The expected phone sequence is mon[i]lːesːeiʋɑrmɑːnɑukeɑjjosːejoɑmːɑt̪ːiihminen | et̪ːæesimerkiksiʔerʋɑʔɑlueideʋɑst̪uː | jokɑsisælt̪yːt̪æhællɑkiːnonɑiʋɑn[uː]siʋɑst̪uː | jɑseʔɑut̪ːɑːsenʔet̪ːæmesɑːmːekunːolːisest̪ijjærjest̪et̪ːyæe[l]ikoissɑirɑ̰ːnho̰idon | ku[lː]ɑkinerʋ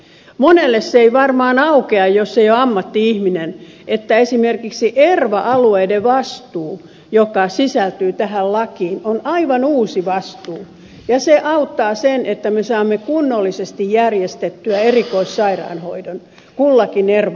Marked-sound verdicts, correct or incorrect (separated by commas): incorrect, correct, incorrect, correct